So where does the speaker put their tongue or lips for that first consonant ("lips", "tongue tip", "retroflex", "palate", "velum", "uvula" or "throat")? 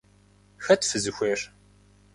velum